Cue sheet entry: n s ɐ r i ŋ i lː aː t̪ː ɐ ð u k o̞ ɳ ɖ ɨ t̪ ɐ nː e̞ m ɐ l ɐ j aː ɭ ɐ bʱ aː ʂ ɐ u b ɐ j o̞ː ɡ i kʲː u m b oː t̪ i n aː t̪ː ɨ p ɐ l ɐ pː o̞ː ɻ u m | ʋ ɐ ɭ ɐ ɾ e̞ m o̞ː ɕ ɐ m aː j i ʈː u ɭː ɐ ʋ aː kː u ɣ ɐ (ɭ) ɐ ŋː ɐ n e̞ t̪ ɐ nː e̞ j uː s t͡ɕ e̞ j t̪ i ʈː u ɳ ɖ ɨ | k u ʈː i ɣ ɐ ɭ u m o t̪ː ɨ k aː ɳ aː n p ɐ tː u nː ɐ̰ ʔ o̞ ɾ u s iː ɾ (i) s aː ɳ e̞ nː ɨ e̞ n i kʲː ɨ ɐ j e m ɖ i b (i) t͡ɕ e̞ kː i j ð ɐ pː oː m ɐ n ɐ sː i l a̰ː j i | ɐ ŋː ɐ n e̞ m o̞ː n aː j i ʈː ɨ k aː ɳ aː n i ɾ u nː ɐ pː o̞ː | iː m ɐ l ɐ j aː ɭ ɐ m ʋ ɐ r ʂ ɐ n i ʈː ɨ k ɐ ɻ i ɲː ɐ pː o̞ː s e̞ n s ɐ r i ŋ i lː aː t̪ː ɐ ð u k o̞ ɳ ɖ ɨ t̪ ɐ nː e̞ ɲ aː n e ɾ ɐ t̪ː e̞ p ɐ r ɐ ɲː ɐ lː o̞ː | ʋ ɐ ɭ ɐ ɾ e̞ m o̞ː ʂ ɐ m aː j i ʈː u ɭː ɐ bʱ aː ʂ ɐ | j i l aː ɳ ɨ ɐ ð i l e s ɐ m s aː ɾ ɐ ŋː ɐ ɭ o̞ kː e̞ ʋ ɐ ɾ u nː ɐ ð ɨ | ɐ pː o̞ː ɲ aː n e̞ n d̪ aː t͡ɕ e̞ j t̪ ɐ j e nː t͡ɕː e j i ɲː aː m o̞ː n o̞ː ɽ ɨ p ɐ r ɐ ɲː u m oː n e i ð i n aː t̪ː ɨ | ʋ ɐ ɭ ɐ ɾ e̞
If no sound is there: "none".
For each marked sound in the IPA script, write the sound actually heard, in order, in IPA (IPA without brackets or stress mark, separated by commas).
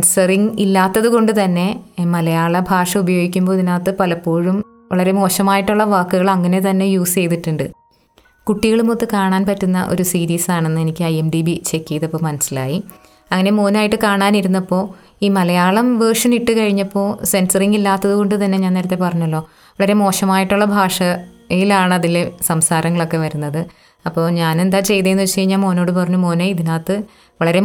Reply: ɭ, iː, i